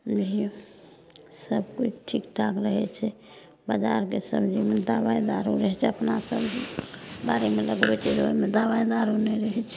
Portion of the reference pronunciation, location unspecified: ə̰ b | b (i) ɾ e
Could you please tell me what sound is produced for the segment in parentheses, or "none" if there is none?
a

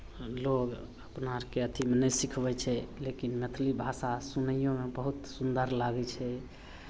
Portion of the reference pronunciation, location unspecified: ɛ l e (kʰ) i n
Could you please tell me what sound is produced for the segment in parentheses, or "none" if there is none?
k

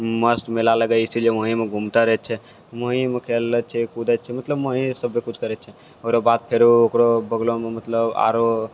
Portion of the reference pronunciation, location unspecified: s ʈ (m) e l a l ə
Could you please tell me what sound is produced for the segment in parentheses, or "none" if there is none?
m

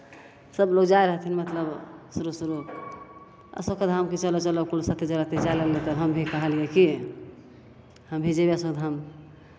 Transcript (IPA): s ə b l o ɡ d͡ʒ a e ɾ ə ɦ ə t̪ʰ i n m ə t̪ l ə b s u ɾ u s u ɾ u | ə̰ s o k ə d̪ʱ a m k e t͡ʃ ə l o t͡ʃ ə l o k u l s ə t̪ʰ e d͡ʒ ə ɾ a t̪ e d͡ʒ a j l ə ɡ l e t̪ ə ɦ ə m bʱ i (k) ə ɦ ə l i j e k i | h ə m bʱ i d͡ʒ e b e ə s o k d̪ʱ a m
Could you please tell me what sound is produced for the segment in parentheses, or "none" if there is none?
k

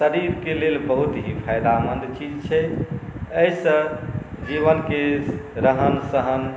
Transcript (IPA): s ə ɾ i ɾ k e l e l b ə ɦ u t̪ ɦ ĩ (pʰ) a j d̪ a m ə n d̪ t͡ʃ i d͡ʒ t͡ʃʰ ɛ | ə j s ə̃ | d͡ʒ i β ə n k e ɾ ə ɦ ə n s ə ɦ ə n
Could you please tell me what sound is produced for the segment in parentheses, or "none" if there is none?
pʰ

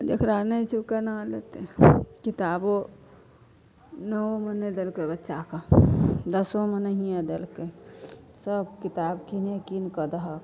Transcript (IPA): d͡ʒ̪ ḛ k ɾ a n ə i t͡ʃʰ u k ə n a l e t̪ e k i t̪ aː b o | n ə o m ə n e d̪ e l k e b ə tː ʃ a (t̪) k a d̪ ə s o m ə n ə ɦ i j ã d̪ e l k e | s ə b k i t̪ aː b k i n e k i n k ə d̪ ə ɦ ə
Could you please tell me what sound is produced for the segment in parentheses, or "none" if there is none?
none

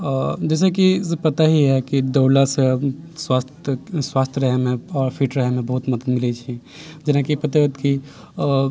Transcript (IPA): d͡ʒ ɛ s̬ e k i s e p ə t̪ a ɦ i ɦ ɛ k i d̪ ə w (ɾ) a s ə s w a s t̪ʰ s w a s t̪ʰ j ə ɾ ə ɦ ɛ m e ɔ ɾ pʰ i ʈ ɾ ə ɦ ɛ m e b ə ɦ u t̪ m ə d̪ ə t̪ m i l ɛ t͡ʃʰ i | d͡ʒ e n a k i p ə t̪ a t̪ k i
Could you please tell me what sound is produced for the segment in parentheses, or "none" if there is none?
l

